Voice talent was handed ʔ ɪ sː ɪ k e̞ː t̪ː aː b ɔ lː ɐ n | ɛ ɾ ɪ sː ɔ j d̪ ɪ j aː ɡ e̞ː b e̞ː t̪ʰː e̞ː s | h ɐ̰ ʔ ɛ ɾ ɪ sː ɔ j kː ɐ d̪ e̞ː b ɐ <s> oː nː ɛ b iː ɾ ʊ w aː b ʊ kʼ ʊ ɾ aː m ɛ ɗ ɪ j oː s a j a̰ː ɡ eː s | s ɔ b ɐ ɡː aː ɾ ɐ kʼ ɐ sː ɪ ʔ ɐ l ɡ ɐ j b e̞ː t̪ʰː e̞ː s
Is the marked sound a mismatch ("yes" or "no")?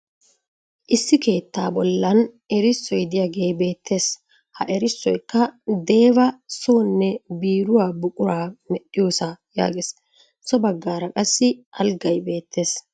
no